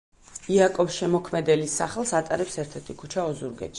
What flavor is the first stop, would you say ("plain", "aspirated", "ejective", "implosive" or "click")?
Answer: ejective